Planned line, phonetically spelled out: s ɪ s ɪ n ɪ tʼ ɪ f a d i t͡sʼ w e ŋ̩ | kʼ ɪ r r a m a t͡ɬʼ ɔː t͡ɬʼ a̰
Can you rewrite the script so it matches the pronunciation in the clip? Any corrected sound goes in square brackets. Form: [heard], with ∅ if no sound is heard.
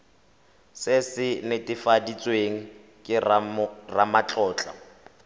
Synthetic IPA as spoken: s ɪ s ɪ n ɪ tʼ ɪ f a d i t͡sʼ w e ŋ̩ | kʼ ɪ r r a m a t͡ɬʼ ɔː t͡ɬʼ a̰